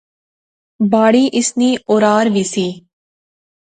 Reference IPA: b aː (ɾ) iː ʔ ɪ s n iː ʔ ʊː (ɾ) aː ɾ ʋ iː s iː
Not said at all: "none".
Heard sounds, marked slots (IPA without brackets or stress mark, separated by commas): ɽ, ɾ